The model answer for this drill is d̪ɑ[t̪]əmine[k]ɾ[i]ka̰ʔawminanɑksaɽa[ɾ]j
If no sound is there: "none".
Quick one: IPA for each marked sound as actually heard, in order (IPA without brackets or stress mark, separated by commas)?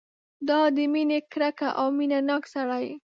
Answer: d̪, k, a, none